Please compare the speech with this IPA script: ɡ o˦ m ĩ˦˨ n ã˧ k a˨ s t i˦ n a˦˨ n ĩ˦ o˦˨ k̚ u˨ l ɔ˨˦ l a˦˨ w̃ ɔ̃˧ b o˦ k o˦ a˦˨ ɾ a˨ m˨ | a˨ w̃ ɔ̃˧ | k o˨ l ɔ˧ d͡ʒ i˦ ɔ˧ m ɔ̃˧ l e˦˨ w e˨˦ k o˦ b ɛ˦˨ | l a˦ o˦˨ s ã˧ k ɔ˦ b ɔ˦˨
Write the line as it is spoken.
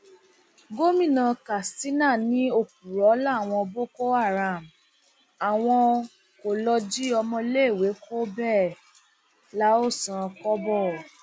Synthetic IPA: ɡ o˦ m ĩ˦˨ n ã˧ k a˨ s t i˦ n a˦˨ n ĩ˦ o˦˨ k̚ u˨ ɾ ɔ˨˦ l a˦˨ w̃ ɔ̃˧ b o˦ k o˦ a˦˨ ɾ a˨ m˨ | a˨ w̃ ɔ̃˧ | k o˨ l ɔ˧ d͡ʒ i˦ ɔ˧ m ɔ̃˧ l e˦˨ w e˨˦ k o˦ b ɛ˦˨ | l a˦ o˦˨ s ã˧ k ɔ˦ b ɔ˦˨